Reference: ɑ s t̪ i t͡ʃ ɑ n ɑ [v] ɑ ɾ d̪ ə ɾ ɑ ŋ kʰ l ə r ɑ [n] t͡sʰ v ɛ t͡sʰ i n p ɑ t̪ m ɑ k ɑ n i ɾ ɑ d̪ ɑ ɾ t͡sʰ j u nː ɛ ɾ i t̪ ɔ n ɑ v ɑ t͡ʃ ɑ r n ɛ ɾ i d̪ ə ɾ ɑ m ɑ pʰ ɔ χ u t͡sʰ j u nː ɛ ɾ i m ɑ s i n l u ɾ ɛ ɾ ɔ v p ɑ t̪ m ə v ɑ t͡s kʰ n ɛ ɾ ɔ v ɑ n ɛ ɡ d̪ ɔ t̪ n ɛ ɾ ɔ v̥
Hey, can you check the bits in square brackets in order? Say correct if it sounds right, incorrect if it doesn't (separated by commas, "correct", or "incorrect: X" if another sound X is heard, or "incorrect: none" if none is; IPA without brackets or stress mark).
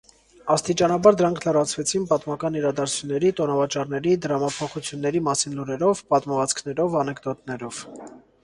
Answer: incorrect: b, incorrect: none